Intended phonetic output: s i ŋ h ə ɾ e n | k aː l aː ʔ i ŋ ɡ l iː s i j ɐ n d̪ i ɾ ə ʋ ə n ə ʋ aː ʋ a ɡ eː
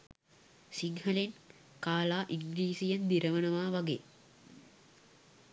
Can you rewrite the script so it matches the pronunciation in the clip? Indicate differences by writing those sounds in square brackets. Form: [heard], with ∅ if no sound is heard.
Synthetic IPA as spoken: s i ŋ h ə [l] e n | k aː l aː ʔ i ŋ ɡ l iː s i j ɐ n d̪ i ɾ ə ʋ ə n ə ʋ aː ʋ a ɡ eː